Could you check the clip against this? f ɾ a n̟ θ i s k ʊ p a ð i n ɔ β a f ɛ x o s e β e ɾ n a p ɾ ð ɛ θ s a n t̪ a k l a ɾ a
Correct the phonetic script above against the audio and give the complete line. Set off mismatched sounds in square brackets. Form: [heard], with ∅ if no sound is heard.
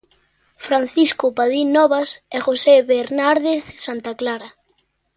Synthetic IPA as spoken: f ɾ a n̟ θ i s k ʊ p a ð i n ɔ β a [s] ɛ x o s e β e ɾ n a [∅] ɾ ð [e] θ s a n t̪ a k l a ɾ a